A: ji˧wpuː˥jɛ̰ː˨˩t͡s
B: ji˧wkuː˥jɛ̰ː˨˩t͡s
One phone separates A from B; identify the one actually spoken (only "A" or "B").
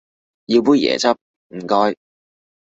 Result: A